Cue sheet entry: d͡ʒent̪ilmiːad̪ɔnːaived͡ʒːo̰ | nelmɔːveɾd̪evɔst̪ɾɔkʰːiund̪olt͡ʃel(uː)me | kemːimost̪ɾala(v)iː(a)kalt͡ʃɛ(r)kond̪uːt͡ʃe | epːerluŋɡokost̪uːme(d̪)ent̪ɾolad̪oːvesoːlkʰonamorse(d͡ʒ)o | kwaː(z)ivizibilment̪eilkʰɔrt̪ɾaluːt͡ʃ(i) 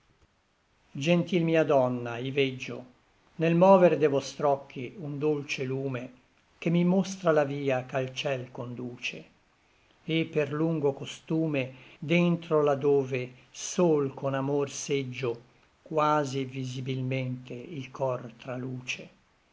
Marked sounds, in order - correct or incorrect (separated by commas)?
correct, correct, correct, incorrect, correct, incorrect, correct, incorrect